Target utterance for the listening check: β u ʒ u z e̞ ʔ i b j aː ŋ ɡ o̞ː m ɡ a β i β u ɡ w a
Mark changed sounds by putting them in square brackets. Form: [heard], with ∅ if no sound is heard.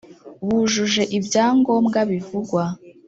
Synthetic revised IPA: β u ʒ u [ʒ] e̞ ʔ i b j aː ŋ ɡ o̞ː m ɡ a β i [v] u ɡ w a